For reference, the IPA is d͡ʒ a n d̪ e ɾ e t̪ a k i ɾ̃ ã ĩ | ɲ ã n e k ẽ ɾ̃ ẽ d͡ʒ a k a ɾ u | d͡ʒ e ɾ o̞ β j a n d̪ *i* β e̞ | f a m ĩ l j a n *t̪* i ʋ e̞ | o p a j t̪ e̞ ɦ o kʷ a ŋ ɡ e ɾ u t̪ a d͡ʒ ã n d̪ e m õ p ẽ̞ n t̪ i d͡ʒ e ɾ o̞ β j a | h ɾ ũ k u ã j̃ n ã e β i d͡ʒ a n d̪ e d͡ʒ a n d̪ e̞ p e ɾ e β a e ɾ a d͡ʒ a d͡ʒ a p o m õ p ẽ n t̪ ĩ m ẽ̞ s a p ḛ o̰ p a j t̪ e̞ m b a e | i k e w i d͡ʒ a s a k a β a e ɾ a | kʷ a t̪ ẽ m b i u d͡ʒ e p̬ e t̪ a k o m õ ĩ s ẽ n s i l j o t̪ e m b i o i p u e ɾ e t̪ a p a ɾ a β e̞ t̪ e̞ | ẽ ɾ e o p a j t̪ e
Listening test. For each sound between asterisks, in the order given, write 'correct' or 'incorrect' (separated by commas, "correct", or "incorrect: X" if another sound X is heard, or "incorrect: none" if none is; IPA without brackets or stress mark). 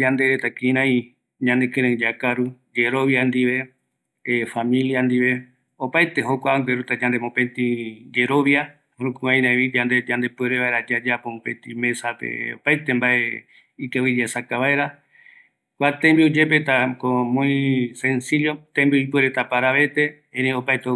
correct, incorrect: d̪